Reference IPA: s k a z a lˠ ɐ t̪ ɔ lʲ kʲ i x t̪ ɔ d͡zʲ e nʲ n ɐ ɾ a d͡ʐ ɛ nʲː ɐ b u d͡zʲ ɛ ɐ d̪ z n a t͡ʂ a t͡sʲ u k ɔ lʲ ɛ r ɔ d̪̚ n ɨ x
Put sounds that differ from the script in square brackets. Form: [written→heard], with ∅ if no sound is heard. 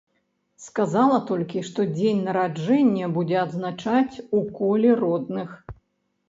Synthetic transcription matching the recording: s k a z a lˠ ɐ t̪ ɔ lʲ kʲ i [x→ʂ] t̪ ɔ d͡zʲ e nʲ n ɐ ɾ a d͡ʐ ɛ nʲː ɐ b u d͡zʲ ɛ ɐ d̪ z n a t͡ʂ a t͡sʲ u k ɔ lʲ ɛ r ɔ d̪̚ n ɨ x

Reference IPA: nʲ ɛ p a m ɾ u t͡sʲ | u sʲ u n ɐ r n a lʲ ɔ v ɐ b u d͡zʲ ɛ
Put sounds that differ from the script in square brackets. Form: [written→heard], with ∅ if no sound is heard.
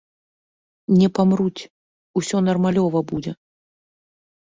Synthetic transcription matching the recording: nʲ ɛ p a m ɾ u t͡sʲ | u sʲ [u→ɔ] n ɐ r [n→m] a lʲ ɔ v ɐ b u d͡zʲ ɛ

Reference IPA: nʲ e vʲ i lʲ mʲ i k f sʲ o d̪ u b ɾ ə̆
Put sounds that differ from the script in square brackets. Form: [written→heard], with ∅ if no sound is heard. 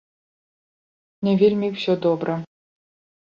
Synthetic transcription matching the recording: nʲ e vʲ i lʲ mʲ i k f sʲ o d̪ [u→o] b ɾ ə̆

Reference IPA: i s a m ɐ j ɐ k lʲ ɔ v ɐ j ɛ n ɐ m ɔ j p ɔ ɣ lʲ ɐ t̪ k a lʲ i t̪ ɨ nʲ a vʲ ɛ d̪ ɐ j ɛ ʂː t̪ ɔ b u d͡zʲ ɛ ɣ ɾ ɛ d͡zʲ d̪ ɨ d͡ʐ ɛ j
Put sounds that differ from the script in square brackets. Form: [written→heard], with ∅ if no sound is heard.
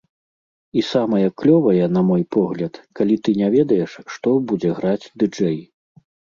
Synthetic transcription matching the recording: i s a m ɐ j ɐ k lʲ ɔ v ɐ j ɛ n ɐ m ɔ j p ɔ ɣ lʲ ɐ t̪ k a lʲ i t̪ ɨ nʲ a vʲ ɛ d̪ ɐ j ɛ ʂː t̪ ɔ b u d͡zʲ ɛ ɣ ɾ [ɛ→a] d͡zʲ d̪ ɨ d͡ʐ ɛ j

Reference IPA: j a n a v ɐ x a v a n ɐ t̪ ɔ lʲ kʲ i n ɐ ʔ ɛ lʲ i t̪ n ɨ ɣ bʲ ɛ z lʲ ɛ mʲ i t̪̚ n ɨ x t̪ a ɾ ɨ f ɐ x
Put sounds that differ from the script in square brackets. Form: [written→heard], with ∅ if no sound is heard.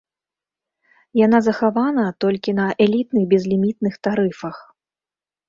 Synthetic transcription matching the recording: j a n a [v→z] ɐ x a v a n ɐ t̪ ɔ lʲ kʲ i n ɐ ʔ ɛ lʲ i t̪ n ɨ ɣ bʲ ɛ z lʲ [ɛ→i] mʲ i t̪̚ n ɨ x t̪ a ɾ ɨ f ɐ x

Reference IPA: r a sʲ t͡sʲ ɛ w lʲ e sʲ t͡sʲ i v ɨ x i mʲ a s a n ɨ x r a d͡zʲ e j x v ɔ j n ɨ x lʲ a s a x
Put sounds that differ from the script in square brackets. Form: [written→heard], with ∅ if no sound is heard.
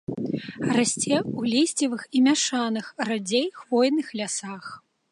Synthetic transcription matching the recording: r a sʲ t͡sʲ ɛ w lʲ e sʲ t͡sʲ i v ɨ x i mʲ a [s→ʂ] a n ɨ x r a d͡zʲ e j x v ɔ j n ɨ x lʲ a s a x

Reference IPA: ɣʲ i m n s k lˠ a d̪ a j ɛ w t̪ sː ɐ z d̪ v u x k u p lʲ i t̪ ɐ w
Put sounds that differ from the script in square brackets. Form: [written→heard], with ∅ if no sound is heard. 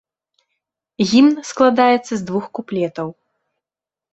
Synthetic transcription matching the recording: ɣʲ i m n s k lˠ a d̪ a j ɛ [w→∅] t̪ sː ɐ z d̪ v u x k u p lʲ [i→ɛ] t̪ ɐ w

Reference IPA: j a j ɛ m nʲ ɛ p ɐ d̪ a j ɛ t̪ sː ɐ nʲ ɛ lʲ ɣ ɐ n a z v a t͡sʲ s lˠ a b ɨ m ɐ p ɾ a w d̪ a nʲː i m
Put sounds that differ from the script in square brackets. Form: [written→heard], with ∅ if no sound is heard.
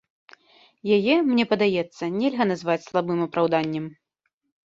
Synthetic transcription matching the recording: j a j ɛ m nʲ ɛ p ɐ d̪ a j ɛ t̪ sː ɐ nʲ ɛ lʲ ɣ ɐ n a z v a t͡sʲ s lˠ a b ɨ m ɐ p ɾ a w d̪ a nʲː [i→ɛ] m

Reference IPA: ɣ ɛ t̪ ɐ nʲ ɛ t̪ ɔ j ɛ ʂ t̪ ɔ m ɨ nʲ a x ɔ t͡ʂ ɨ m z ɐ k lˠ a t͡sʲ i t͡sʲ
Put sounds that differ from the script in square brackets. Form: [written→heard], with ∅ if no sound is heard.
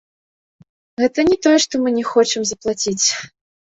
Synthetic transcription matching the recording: ɣ ɛ t̪ ɐ nʲ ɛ t̪ ɔ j ɛ ʂ t̪ ɔ m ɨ nʲ [a→ɛ] x ɔ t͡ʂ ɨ m z ɐ [k→p] lˠ a t͡sʲ i t͡sʲ

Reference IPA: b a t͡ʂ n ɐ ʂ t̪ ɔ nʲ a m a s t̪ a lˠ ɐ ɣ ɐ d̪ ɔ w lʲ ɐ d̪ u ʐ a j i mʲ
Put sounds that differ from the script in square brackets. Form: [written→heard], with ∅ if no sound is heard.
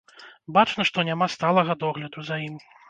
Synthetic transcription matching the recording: b a t͡ʂ n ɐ ʂ t̪ ɔ nʲ a m a s t̪ a lˠ ɐ ɣ ɐ d̪ ɔ [w→ɣ] lʲ ɐ d̪ u [ʐ→z] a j i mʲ

